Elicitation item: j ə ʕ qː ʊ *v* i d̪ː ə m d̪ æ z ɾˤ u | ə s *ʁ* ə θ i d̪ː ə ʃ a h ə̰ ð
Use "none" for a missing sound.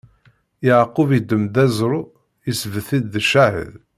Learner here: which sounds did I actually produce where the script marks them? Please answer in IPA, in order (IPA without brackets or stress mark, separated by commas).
v, v